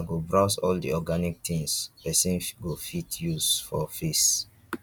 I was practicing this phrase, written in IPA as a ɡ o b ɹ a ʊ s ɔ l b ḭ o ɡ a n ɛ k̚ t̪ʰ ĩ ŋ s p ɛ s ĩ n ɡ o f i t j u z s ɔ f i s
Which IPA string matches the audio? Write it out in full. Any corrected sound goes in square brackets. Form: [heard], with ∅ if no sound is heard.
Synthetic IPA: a ɡ o b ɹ a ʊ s ɔ l [d] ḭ [ɔ] ɡ a n [i] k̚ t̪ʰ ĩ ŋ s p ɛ s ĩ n ɡ o f i t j u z [f] ɔ f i s